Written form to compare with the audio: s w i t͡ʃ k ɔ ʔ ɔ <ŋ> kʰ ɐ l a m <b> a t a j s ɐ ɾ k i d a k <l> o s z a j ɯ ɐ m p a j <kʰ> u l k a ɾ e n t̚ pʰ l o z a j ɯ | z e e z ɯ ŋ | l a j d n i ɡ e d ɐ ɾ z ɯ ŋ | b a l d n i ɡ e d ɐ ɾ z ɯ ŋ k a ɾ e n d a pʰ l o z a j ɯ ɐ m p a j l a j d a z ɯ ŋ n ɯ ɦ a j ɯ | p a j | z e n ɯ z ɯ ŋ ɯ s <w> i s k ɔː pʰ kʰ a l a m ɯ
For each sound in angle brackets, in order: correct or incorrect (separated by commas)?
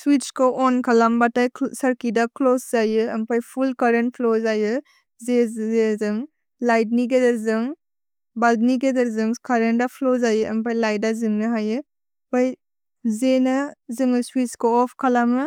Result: incorrect, correct, correct, incorrect, correct